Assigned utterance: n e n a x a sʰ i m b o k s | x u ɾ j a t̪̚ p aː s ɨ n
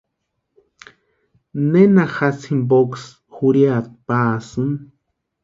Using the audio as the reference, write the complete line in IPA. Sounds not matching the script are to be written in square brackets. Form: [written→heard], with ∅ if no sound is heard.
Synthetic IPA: n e n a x a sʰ i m b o k s | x u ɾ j a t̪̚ p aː s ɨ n

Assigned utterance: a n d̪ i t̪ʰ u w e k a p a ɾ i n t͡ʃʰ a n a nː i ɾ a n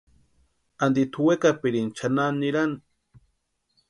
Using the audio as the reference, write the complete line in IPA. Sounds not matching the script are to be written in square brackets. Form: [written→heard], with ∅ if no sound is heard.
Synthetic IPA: a n d̪ i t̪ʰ u w e k a p [a→i] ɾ i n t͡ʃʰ a n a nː i ɾ a n

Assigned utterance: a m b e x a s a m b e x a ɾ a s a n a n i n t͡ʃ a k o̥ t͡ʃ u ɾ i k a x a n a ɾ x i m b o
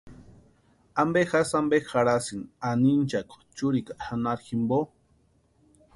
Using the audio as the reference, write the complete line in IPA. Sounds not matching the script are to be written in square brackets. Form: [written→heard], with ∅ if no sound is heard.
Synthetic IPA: a m b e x a s a m b e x a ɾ a s [a→i] n a n i n t͡ʃ a k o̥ t͡ʃ u ɾ i k a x a n a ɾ x i m b o

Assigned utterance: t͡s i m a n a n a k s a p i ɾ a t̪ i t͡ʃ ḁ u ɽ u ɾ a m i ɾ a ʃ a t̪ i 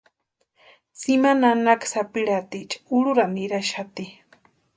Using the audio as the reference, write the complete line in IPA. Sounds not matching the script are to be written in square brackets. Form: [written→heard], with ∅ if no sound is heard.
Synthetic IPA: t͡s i m a n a n a k s a p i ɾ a t̪ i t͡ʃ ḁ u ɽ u ɾ a m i ɾ a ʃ a t̪ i

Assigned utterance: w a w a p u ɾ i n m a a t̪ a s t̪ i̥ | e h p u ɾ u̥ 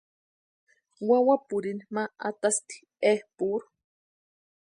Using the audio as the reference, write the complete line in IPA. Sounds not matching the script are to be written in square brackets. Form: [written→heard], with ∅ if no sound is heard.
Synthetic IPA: w a w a p u ɾ i n m a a t̪ a s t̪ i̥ | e h p u ɾ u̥

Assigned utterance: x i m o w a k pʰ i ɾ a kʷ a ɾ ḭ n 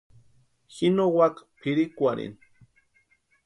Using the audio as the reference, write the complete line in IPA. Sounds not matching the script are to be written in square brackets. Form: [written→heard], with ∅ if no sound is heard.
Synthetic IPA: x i [m→n] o w a k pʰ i ɾ [a→i] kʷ a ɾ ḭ n

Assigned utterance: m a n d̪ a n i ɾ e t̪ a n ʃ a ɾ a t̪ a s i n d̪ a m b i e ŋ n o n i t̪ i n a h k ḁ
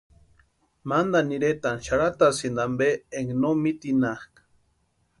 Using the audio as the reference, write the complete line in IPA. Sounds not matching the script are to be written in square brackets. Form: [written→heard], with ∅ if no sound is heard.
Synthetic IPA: m a n d̪ a n i ɾ e t̪ a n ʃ a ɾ a t̪ a s i n d̪ a m b [i→e] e ŋ n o [n→m] i t̪ i n a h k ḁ

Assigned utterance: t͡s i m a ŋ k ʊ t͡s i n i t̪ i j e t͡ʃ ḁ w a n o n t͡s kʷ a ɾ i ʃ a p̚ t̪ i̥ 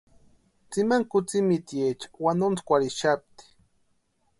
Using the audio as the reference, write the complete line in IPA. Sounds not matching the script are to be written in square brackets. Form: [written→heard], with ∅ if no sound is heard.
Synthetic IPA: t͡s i m a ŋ k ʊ t͡s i [n→m] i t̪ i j e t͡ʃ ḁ w a n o n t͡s kʷ a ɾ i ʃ a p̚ t̪ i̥

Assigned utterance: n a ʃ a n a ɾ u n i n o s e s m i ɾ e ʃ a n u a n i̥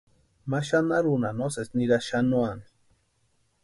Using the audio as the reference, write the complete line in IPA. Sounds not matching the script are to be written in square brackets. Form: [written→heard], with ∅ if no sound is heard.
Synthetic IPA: [n→m] a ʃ a n a ɾ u n [i→a] n o s e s [m→n] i ɾ [e→a] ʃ a n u a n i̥

